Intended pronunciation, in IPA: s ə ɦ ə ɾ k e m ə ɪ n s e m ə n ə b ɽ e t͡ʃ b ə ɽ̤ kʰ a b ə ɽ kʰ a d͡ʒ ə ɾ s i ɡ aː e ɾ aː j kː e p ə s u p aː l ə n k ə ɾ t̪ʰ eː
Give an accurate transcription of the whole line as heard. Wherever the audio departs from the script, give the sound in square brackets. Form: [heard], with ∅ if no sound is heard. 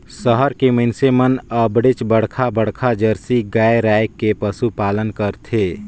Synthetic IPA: s ə ɦ ə ɾ k e m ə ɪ n s e m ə n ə b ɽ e t͡ʃ b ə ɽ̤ kʰ a b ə ɽ kʰ a d͡ʒ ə ɾ s i ɡ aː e ɾ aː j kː e p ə s u p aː l ə n k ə ɾ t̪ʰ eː